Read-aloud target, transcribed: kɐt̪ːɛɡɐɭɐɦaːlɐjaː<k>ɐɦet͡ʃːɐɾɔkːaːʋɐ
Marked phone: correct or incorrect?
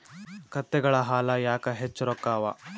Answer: correct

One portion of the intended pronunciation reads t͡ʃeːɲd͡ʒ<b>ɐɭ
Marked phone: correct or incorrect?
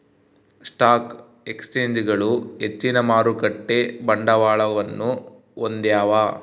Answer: incorrect: ɡ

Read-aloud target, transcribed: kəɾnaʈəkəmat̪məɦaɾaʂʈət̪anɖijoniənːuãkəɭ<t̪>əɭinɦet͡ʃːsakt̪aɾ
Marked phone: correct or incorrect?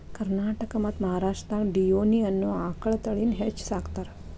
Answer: correct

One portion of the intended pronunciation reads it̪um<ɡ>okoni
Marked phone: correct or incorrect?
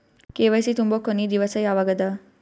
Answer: incorrect: b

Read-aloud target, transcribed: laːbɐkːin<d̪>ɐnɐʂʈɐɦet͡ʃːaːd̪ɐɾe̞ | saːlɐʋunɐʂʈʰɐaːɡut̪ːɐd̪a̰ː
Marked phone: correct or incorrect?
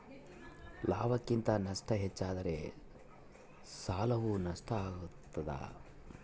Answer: incorrect: t̪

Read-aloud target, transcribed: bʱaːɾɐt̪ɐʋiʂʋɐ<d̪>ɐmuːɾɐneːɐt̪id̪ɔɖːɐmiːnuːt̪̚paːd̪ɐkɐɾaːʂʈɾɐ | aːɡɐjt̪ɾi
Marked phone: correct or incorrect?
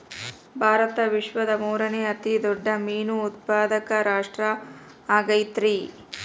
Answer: correct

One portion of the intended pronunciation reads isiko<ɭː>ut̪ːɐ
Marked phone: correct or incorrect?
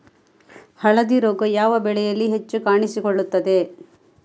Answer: correct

